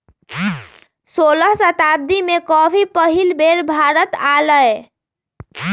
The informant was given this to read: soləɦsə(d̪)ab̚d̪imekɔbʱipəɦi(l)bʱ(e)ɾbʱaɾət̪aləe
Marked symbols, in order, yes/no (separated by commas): no, yes, yes